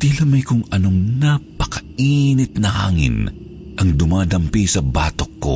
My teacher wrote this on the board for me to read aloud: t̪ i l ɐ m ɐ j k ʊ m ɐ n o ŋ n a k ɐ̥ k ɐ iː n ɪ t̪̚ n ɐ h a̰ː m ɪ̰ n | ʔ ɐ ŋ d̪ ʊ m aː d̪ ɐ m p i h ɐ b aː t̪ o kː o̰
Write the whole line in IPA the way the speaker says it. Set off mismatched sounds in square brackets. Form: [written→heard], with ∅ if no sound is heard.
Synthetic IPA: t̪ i l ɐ m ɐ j k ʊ [m→ŋ] ɐ n o ŋ n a [k→p] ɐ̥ k ɐ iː n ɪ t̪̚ n ɐ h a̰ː [m→ŋ] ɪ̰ n | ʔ ɐ ŋ d̪ ʊ m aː d̪ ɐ m p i [h→s] ɐ b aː t̪ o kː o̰